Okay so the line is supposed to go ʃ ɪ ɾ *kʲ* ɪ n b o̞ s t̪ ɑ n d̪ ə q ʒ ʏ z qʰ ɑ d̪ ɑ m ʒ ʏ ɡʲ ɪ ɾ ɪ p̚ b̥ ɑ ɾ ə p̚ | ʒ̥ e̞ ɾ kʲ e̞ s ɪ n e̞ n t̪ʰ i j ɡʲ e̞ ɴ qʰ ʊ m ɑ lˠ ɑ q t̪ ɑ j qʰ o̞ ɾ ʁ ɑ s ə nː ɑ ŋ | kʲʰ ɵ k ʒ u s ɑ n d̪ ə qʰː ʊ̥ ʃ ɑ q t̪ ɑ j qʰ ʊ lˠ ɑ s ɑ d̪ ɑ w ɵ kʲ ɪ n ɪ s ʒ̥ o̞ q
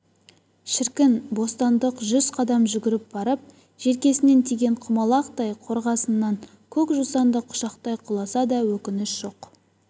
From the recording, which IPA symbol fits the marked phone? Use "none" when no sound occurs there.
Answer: kʲ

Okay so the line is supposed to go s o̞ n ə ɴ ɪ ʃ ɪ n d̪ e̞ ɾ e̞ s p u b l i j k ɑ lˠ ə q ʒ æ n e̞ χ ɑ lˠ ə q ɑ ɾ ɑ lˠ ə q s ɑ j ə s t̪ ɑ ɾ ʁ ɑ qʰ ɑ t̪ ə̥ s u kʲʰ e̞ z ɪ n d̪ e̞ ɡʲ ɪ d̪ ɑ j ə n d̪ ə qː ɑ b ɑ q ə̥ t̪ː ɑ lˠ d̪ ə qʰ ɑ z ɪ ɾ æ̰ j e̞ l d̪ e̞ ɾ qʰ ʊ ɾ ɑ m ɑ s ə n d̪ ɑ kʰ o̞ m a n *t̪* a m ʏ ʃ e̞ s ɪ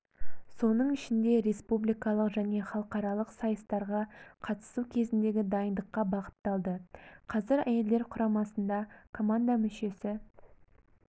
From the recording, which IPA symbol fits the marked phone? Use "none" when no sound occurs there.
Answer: d̪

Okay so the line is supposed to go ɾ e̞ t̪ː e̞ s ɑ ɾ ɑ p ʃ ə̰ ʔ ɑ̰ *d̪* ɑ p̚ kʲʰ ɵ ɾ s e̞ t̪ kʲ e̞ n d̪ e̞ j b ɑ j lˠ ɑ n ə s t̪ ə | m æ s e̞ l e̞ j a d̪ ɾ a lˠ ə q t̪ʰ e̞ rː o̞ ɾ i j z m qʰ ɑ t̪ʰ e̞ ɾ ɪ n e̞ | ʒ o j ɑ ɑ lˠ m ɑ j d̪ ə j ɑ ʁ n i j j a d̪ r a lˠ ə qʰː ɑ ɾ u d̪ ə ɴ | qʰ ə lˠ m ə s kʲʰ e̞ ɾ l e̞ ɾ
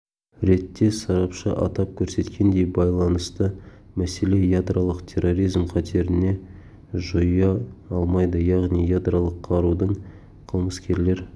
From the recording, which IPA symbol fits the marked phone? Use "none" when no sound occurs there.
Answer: t̪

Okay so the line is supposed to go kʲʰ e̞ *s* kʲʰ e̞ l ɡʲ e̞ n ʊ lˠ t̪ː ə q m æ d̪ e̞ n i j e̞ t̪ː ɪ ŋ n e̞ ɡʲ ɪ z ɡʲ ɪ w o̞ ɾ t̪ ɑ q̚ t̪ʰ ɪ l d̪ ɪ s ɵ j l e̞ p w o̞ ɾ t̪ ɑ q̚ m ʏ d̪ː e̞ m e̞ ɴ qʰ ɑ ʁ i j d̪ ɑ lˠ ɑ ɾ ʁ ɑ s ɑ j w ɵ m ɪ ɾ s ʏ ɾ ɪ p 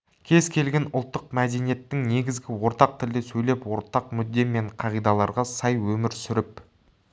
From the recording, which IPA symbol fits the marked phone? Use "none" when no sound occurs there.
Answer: z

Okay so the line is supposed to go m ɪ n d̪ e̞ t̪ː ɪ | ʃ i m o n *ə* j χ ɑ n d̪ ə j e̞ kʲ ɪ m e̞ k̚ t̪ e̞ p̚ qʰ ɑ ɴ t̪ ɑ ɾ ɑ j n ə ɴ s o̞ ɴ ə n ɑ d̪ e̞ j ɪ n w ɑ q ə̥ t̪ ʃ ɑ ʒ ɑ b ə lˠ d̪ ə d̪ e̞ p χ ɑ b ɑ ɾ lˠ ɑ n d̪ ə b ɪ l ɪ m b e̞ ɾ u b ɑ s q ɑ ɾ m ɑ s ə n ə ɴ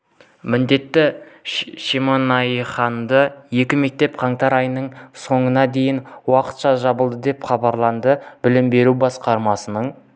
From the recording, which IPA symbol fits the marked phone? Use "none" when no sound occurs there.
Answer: ɑ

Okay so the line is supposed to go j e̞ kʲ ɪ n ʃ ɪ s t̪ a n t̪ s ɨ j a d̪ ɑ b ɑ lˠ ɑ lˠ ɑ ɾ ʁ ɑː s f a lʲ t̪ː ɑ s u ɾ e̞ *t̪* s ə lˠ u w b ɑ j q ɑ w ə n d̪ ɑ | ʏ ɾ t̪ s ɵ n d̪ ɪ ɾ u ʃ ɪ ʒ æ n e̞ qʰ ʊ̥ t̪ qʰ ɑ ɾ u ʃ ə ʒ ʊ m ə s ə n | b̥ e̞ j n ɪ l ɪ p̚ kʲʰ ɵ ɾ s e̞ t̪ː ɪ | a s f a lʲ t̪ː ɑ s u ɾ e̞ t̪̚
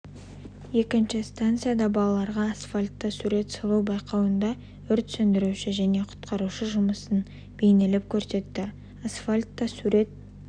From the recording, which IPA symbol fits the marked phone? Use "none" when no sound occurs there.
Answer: t̪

